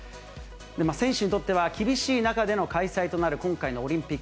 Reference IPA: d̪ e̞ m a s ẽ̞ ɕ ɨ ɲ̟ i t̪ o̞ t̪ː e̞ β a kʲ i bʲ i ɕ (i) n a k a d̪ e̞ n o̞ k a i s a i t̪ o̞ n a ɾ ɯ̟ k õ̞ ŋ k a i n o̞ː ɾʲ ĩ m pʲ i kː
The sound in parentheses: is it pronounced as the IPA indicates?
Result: no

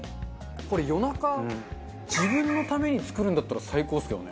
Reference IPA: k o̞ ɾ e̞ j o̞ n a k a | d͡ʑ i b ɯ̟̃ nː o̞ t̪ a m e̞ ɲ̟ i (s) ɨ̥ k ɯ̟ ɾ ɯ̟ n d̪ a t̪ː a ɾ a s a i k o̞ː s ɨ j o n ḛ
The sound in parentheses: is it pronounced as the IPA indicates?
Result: no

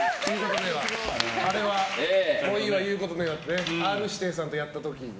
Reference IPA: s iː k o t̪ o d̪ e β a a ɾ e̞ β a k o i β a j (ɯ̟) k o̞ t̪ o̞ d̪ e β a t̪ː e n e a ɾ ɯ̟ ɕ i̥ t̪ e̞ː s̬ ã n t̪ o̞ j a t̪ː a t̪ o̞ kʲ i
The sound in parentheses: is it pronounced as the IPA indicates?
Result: no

